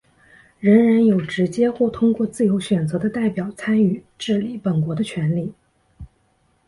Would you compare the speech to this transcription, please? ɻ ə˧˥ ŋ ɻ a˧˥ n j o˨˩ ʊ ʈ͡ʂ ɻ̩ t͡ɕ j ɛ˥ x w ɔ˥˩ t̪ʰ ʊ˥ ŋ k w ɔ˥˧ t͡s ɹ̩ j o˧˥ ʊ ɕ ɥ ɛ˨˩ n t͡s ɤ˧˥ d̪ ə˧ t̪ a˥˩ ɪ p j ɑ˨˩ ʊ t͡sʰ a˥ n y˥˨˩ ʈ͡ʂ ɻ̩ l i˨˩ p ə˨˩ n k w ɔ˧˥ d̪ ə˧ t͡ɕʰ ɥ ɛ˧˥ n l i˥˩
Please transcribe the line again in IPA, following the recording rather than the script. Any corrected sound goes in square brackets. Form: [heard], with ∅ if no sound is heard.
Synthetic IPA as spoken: ɻ ə˧˥ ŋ ɻ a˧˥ n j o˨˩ ʊ ʈ͡ʂ ɻ̩ t͡ɕ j ɛ˥ x w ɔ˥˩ t̪ʰ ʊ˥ ŋ k w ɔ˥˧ t͡s ɹ̩ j o˧˥ ʊ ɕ ɥ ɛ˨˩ n t͡s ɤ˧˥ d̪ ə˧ t̪ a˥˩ ɪ p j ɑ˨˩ ʊ t͡sʰ a˥ n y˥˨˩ ʈ͡ʂ ɻ̩ l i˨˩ p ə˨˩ n k w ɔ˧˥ d̪ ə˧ t͡ɕʰ ɥ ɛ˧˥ n l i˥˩

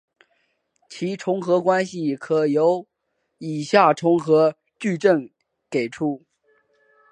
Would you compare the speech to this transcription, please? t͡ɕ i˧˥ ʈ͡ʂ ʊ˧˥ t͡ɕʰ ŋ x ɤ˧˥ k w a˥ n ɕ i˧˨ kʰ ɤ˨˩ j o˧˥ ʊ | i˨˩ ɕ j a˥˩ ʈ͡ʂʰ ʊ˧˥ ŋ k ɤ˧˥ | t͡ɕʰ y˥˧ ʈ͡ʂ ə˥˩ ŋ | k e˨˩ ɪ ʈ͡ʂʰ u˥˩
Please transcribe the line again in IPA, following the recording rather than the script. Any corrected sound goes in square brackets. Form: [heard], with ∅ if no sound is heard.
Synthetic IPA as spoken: [t͡ɕʰ] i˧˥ [ʈ͡ʂʰ] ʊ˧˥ [∅] ŋ x ɤ˧˥ k w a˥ n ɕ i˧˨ kʰ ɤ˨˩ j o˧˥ ʊ | i˨˩ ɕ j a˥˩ ʈ͡ʂʰ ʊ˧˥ ŋ [x] ɤ˧˥ | [t͡ɕ] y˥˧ ʈ͡ʂ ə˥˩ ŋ | k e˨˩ ɪ ʈ͡ʂʰ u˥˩

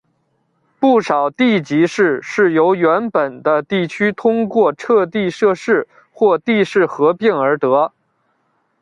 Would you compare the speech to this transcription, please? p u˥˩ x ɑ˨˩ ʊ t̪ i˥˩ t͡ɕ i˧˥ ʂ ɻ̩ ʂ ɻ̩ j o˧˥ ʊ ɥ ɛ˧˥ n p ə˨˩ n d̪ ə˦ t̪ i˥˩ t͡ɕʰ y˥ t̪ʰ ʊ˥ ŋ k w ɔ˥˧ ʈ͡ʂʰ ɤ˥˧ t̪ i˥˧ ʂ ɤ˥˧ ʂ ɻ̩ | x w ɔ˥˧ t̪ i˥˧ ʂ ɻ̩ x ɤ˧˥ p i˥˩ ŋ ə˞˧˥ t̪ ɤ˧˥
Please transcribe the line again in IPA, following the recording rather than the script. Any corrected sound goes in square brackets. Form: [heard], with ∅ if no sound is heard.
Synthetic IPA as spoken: p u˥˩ [ʂ] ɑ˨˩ ʊ t̪ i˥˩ t͡ɕ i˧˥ ʂ ɻ̩ ʂ ɻ̩ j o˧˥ ʊ ɥ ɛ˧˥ n p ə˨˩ n d̪ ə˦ t̪ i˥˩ t͡ɕʰ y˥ t̪ʰ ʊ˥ ŋ k w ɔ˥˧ ʈ͡ʂʰ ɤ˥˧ t̪ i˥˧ ʂ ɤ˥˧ ʂ ɻ̩ | x w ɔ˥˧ t̪ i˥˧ ʂ ɻ̩ x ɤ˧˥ p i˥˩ ŋ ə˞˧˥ t̪ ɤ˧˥

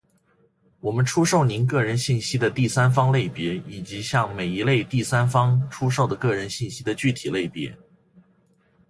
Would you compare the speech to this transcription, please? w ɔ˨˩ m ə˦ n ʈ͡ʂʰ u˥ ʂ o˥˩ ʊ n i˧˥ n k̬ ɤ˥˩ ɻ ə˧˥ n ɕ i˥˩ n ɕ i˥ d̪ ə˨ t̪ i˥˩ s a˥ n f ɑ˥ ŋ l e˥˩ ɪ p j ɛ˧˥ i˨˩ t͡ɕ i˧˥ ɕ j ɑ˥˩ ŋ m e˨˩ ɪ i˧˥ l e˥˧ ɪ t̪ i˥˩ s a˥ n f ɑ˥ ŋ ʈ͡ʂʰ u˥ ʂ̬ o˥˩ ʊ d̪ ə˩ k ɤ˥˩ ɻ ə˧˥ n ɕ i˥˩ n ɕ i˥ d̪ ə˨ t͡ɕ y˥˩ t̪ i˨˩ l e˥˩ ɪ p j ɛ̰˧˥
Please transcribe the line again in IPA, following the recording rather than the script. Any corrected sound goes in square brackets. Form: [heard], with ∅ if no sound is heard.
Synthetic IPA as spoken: w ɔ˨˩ m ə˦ n ʈ͡ʂʰ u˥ ʂ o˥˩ ʊ n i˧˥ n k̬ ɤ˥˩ ɻ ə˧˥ n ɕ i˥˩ n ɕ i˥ d̪ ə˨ t̪ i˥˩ s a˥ n f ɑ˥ ŋ l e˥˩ ɪ p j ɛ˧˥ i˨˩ t͡ɕ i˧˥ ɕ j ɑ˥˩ ŋ m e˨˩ ɪ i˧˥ l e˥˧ ɪ t̪ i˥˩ s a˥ n f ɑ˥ ŋ ʈ͡ʂʰ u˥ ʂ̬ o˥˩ ʊ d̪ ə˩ k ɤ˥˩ ɻ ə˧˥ n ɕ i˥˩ n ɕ i˥ d̪ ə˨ t͡ɕ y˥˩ [t̪ʰ] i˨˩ l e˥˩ ɪ p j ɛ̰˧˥

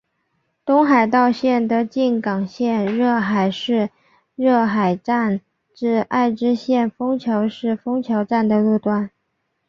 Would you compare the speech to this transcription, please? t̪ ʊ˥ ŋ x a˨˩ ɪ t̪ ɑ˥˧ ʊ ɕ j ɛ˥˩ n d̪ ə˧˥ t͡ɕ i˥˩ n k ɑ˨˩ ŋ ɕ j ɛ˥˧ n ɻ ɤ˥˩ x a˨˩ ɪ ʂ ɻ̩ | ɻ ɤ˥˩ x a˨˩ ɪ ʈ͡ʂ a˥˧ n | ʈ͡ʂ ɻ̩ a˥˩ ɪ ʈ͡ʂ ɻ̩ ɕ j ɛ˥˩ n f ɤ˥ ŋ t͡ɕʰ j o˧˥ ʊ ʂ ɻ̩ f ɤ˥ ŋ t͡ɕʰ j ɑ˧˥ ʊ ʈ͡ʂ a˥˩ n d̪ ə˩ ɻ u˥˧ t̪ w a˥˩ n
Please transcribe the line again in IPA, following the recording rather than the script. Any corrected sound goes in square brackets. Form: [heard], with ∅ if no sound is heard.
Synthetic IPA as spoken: t̪ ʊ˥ ŋ x a˨˩ ɪ t̪ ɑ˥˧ ʊ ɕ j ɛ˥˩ n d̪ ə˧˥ t͡ɕ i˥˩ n k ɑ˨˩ ŋ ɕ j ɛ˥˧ n ɻ ɤ˥˩ x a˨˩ ɪ ʂ ɻ̩ | ɻ ɤ˥˩ x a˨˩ ɪ ʈ͡ʂ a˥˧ n | ʈ͡ʂ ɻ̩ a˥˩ ɪ ʈ͡ʂ ɻ̩ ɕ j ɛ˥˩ n f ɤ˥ ŋ t͡ɕʰ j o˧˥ ʊ ʂ ɻ̩ f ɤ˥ ŋ t͡ɕʰ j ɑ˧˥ ʊ ʈ͡ʂ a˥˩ n d̪ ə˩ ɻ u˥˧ t̪ w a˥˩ n

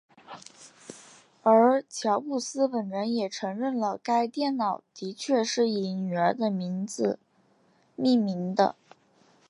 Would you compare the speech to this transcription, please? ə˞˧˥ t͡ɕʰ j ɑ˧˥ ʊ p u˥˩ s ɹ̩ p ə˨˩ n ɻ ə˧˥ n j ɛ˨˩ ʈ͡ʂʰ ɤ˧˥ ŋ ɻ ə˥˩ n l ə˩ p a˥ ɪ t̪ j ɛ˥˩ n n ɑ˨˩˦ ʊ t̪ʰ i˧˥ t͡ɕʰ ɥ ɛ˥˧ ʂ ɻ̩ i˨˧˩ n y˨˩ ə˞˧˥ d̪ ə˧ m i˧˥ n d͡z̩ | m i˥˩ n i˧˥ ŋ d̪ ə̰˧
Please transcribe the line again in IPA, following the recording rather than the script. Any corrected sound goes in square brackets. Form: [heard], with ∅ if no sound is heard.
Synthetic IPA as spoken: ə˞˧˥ t͡ɕʰ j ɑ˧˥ ʊ p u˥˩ s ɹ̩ p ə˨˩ n ɻ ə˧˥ n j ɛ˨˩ ʈ͡ʂʰ ɤ˧˥ ŋ ɻ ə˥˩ n l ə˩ [k] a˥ ɪ t̪ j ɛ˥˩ n n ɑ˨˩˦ ʊ [t̪] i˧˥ t͡ɕʰ ɥ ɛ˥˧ ʂ ɻ̩ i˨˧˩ n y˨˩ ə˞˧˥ d̪ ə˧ m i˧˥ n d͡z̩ | m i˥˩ [m] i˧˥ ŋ d̪ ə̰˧

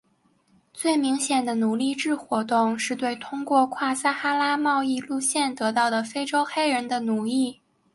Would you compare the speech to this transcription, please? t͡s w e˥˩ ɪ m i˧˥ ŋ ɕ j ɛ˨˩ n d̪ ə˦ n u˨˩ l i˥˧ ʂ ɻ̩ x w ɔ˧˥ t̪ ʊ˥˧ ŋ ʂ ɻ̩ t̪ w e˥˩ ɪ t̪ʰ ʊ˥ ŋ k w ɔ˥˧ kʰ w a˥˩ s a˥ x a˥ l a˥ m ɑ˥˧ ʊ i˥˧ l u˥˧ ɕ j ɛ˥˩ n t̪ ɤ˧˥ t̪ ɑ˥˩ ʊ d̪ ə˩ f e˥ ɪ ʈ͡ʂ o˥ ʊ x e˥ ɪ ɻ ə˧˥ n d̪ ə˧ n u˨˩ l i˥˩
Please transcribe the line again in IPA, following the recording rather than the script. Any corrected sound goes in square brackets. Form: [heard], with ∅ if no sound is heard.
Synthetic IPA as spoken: t͡s w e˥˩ ɪ m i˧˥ ŋ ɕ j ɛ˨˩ n d̪ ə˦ n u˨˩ l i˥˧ [ʈ͡ʂ] ɻ̩ x w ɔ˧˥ t̪ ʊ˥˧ ŋ ʂ ɻ̩ t̪ w e˥˩ ɪ t̪ʰ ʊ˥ ŋ k w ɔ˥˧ kʰ w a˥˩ s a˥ x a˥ l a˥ m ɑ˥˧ ʊ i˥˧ l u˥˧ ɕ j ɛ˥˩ n t̪ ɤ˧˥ t̪ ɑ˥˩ ʊ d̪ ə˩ f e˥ ɪ ʈ͡ʂ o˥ ʊ x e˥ ɪ ɻ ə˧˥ n d̪ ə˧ n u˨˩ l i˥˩

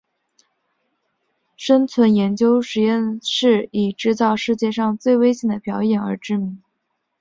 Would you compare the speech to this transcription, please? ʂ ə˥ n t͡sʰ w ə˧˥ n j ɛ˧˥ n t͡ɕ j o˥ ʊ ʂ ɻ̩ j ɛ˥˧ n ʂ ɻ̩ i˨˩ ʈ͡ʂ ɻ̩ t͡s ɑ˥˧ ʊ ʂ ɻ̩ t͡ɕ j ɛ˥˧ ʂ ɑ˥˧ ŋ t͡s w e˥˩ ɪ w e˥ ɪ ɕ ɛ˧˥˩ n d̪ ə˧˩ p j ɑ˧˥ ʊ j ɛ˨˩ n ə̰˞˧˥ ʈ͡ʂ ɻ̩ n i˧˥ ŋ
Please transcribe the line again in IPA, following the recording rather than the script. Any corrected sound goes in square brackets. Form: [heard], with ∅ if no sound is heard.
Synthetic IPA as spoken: ʂ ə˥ n t͡sʰ w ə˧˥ n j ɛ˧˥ n t͡ɕ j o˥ ʊ ʂ ɻ̩ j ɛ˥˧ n ʂ ɻ̩ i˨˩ ʈ͡ʂ ɻ̩ t͡s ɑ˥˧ ʊ ʂ ɻ̩ t͡ɕ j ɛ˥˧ ʂ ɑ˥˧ ŋ t͡s w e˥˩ ɪ w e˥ ɪ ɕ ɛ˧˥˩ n d̪ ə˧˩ p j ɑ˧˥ ʊ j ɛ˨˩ n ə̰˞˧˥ ʈ͡ʂ ɻ̩ [m] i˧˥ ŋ

